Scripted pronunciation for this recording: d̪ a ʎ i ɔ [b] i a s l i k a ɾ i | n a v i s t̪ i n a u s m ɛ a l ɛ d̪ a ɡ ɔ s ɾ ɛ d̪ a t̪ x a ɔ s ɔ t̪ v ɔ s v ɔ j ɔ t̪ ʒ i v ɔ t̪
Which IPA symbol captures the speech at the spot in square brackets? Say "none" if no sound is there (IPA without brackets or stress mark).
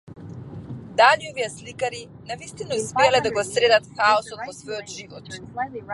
v